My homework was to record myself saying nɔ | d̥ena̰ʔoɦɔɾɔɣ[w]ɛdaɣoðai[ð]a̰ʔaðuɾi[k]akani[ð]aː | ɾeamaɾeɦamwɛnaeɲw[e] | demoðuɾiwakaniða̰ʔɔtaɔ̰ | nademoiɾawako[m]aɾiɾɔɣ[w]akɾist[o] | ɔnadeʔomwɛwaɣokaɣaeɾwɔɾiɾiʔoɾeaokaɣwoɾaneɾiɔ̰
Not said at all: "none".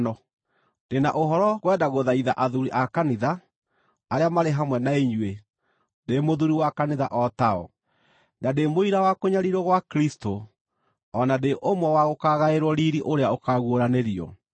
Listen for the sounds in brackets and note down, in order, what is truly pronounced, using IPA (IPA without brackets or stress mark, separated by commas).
w, ð, ʔ, ð, e, ɲ, w, o